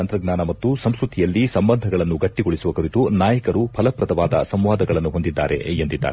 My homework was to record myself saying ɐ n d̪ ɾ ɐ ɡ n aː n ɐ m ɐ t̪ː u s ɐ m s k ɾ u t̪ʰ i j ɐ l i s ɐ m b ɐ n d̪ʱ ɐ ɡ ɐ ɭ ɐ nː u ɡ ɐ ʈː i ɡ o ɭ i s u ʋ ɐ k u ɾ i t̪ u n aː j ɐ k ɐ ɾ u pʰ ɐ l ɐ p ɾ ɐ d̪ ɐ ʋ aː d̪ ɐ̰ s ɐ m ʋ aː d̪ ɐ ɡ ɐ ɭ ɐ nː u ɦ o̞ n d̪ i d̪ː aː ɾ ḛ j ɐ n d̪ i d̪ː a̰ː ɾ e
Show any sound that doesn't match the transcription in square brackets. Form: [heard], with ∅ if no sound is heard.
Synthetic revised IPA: ɐ n [t̪] ɾ ɐ ɡ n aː n ɐ m ɐ t̪ː u s ɐ m s k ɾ u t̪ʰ i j ɐ [lː] i s ɐ m b ɐ n d̪ʱ ɐ ɡ ɐ ɭ ɐ nː u ɡ ɐ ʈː i ɡ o ɭ i s u ʋ ɐ k u ɾ i t̪ u n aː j ɐ k ɐ ɾ u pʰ ɐ l ɐ p ɾ ɐ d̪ ɐ ʋ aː d̪ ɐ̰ s ɐ m ʋ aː d̪ ɐ ɡ ɐ ɭ ɐ nː u ɦ o̞ n d̪ i d̪ː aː ɾ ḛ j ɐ n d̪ i d̪ː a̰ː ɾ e